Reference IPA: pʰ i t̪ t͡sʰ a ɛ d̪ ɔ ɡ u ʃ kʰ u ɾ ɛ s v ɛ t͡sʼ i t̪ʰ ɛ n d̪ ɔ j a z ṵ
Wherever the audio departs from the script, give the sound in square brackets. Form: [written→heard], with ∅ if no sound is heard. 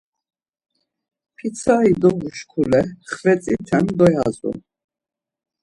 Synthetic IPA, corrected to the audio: pʰ i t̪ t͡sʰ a [ɛ→i] d̪ ɔ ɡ u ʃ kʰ u [ɾ→l] ɛ [s→χ] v ɛ t͡sʼ i t̪ʰ ɛ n d̪ ɔ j a z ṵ